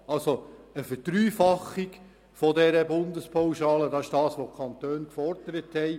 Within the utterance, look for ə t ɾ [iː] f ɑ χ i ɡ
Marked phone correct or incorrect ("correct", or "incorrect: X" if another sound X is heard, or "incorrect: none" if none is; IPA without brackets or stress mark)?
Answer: incorrect: yː